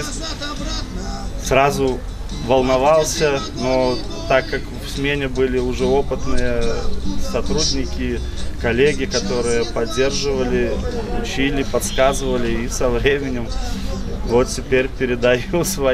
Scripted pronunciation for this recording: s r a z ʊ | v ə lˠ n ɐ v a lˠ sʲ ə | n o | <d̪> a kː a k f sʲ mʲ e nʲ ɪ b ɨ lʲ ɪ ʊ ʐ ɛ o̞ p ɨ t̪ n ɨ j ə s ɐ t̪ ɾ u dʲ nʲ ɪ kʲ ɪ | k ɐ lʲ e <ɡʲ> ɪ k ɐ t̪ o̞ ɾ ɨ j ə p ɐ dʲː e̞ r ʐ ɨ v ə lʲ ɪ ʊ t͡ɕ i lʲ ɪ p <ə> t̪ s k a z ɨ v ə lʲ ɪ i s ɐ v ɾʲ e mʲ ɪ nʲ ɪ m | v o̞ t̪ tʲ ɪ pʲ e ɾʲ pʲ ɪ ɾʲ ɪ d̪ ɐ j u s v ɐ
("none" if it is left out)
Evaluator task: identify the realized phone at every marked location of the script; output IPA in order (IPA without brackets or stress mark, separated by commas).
t̪, ɡʲ, ɐ